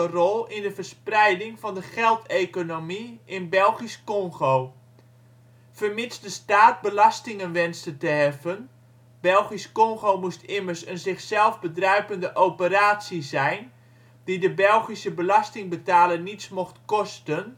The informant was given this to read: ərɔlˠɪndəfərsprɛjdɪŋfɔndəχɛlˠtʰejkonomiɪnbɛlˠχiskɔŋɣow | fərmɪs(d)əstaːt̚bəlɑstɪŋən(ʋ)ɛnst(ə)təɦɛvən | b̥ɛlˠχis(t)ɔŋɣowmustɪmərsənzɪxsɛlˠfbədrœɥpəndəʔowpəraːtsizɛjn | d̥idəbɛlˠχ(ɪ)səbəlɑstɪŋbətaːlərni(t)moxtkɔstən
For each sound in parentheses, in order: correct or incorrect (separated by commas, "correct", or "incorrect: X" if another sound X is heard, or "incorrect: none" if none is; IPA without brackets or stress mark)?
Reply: correct, correct, correct, incorrect: k, incorrect: i, incorrect: s